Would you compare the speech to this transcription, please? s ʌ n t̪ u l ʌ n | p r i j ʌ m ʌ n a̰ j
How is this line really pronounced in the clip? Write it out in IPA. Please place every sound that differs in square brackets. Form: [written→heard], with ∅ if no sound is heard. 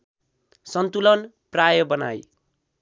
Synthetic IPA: s ʌ n t̪ u l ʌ n | p r [i→a] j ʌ [m→b] ʌ n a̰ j